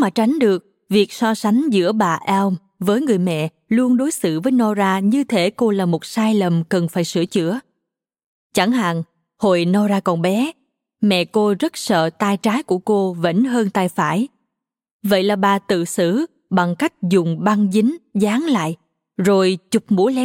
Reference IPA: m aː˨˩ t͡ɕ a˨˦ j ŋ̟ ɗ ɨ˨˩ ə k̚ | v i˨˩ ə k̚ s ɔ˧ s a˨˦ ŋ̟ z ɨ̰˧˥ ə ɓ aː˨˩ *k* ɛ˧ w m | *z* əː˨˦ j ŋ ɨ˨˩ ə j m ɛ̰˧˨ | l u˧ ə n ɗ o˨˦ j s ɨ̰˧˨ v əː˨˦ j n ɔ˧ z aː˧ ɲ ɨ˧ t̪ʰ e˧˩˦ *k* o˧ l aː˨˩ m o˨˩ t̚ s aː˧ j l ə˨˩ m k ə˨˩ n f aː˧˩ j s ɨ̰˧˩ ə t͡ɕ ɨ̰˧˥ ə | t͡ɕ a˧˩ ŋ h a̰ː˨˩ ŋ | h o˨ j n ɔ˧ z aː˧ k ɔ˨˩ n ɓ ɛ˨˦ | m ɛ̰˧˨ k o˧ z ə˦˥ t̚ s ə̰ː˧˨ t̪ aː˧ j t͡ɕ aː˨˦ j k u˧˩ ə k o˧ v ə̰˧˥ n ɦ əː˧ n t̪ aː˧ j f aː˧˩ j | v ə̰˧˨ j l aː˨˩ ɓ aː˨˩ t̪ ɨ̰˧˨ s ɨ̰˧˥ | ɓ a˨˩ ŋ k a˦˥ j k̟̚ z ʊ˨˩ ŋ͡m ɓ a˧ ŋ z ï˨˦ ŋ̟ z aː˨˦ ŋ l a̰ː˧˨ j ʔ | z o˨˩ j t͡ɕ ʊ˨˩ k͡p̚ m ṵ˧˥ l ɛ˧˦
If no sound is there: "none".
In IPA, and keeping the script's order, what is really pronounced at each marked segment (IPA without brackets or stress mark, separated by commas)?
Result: ʔ, v, k